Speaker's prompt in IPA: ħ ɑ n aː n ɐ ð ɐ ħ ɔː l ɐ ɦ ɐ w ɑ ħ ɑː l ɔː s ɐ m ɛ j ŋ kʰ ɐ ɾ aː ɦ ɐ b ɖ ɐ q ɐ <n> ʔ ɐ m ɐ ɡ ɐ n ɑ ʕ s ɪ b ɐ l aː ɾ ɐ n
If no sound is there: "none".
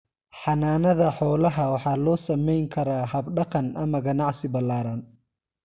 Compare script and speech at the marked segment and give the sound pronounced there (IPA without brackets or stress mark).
n